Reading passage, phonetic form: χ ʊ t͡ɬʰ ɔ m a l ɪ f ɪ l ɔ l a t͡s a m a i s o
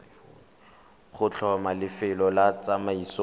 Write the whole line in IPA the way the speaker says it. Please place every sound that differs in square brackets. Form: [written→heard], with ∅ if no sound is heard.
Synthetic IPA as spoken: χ ʊ t͡ɬʰ ɔ m a l ɪ f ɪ l ɔ l a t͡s a m a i s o